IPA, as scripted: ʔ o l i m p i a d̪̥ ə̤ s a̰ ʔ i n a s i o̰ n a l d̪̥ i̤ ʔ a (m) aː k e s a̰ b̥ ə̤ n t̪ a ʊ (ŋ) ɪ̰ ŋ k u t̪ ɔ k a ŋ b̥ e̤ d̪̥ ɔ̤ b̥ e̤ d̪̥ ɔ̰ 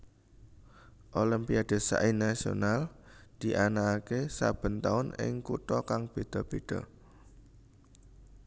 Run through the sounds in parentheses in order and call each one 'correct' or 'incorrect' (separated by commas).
incorrect, incorrect